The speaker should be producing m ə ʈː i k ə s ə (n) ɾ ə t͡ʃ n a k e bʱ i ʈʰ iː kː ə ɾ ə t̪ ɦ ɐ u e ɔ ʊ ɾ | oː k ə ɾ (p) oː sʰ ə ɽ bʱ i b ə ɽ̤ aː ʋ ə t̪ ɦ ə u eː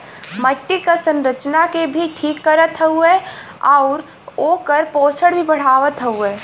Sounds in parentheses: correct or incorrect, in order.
correct, correct

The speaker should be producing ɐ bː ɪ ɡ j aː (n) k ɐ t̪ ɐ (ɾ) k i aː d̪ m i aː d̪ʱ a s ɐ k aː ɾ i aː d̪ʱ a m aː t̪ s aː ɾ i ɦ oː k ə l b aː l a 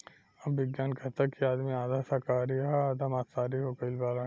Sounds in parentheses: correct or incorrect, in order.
correct, incorrect: none

